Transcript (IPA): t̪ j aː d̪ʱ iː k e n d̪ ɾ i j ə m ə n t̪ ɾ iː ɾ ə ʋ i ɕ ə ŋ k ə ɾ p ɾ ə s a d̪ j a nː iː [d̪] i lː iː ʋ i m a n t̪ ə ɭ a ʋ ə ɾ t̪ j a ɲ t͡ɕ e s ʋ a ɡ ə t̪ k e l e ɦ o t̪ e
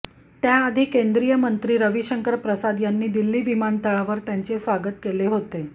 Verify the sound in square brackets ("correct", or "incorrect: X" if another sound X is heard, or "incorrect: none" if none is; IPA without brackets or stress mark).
correct